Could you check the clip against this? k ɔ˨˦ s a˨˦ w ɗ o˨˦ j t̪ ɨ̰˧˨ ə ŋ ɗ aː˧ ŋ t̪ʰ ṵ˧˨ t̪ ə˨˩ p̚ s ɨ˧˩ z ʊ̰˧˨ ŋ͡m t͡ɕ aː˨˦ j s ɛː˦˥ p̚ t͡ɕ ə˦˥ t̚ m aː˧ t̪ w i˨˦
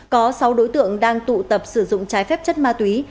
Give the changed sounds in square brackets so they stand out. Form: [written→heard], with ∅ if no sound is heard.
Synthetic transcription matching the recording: k ɔ˨˦ s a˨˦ w ɗ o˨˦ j t̪ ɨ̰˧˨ ə ŋ ɗ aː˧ ŋ [t̪ʰ→t̪] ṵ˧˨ t̪ ə˨˩ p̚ s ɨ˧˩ z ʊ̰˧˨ ŋ͡m t͡ɕ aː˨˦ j [s→f] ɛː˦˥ p̚ t͡ɕ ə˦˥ t̚ m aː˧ t̪ w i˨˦